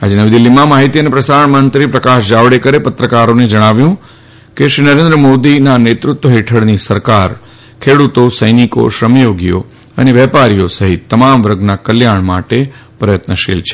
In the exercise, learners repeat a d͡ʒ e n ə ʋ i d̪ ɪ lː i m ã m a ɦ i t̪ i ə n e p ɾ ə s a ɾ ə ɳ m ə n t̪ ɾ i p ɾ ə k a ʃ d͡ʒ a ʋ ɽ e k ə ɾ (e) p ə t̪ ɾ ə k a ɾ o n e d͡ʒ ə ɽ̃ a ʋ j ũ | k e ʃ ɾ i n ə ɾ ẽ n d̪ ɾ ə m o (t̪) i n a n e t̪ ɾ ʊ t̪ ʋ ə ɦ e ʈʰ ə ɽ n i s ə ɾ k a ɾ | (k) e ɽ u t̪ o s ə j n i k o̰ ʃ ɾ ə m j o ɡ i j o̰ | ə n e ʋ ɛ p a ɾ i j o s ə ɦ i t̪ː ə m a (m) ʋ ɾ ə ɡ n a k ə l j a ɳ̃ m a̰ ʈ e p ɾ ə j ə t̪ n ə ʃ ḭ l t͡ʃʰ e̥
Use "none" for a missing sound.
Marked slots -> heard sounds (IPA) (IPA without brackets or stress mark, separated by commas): e, d̪, kʰ, m